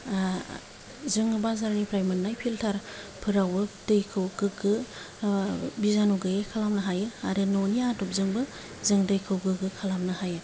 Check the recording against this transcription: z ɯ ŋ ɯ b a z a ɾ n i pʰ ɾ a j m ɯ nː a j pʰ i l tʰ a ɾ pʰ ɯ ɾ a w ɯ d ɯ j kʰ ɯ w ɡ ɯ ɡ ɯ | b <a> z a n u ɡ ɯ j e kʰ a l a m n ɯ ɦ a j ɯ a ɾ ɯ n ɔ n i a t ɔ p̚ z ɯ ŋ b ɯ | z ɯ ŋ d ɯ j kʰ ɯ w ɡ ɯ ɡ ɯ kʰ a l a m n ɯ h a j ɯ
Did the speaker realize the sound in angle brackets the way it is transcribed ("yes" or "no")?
no